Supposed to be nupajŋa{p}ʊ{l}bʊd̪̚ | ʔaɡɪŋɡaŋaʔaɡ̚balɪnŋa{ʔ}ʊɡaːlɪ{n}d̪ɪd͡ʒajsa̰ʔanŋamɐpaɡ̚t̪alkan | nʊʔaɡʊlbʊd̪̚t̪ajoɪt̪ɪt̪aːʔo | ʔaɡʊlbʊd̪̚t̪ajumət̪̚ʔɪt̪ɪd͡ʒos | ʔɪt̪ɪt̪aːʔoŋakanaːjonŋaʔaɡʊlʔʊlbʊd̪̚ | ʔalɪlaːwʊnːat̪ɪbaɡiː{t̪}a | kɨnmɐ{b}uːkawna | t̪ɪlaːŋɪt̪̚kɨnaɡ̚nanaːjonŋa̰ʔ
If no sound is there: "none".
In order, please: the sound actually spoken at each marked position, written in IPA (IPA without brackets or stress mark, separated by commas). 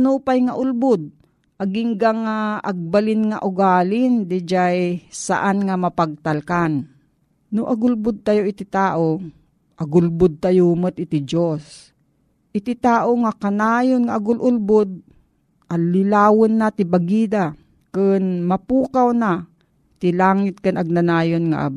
ʔ, l, ʔ, n, d̪, p